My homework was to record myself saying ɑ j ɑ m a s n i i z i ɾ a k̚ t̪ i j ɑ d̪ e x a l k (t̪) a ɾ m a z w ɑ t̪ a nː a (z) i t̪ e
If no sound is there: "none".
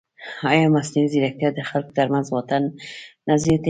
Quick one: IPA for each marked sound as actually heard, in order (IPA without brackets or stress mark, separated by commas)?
d̪, z